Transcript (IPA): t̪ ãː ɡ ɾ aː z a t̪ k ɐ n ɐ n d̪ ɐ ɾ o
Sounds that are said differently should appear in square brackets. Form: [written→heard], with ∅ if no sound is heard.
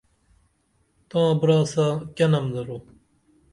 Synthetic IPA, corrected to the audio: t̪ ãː [ɡ→b] ɾ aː [z→s] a [t̪→∅] k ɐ n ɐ [n→m] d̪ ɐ ɾ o